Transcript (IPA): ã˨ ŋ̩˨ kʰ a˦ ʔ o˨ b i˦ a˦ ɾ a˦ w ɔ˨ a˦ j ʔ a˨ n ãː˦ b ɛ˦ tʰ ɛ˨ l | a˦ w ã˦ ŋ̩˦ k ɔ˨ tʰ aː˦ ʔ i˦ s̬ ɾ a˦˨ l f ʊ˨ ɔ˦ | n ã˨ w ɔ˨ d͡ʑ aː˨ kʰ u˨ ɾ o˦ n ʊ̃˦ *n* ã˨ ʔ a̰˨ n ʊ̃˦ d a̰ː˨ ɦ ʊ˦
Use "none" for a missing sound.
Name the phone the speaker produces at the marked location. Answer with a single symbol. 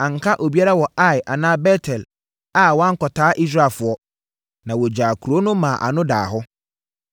m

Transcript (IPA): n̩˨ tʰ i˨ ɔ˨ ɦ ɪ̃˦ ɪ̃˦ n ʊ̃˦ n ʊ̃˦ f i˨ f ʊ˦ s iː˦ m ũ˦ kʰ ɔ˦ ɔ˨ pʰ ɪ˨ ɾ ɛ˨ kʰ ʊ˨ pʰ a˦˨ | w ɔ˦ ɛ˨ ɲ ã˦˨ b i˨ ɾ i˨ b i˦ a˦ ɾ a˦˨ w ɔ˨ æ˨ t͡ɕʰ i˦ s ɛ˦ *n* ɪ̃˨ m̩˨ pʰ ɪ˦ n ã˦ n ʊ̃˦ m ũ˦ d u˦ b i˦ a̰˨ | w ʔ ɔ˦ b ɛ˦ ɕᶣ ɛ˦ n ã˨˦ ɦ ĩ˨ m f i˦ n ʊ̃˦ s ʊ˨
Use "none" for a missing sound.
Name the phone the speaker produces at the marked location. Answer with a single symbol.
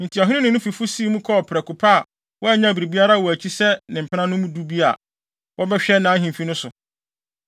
n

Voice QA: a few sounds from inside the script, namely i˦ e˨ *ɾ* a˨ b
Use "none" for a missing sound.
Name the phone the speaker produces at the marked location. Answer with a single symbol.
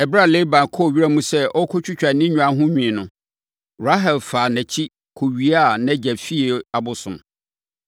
none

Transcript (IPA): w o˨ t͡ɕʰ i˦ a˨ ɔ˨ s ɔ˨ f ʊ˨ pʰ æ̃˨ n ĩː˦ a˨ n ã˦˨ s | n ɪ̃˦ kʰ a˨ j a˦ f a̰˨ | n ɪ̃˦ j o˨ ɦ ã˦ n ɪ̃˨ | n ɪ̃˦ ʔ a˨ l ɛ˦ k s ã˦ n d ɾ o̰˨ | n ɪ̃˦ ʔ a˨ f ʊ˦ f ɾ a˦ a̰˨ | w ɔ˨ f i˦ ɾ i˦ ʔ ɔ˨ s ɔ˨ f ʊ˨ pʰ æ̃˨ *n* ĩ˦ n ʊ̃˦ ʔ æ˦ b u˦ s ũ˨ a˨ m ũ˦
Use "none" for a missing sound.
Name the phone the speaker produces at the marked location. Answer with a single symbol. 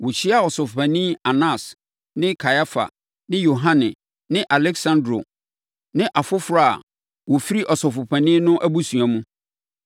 n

